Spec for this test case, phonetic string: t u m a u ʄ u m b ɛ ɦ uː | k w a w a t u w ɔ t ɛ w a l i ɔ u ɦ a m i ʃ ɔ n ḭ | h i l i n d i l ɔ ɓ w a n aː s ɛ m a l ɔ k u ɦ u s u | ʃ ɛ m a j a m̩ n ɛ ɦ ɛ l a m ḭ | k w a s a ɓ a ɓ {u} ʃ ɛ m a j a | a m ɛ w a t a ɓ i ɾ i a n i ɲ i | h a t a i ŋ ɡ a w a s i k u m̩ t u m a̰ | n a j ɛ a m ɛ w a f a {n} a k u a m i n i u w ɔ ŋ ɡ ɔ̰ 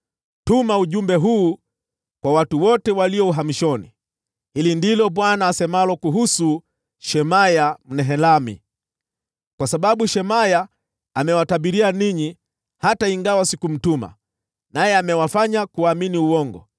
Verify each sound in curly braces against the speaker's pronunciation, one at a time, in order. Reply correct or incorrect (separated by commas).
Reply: correct, incorrect